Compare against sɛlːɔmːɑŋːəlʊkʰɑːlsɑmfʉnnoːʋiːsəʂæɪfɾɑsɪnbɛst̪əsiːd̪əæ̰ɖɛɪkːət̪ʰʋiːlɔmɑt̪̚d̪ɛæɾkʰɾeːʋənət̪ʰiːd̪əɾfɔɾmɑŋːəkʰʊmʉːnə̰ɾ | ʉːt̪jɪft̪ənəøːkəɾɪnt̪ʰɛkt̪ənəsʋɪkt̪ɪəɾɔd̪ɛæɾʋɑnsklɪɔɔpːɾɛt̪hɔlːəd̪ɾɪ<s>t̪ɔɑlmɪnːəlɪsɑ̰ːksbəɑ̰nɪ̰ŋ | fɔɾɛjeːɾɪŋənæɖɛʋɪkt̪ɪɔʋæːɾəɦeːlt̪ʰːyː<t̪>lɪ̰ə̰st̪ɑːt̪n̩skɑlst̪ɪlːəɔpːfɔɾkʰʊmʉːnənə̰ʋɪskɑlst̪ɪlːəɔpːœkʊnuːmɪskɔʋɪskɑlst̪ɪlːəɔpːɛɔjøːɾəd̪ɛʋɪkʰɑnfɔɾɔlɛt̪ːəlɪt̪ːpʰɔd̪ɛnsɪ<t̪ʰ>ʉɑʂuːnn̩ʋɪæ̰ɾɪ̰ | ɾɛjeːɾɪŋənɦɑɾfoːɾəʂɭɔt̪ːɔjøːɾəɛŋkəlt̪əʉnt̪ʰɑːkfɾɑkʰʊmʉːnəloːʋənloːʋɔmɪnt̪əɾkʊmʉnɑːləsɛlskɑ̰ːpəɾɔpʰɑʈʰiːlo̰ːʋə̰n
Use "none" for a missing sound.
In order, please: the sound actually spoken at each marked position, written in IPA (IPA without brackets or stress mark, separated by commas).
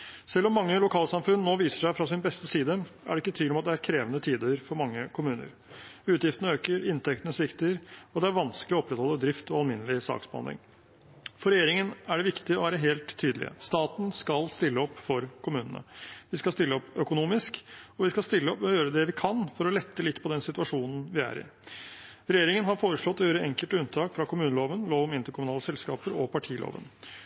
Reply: f, d̪, t̪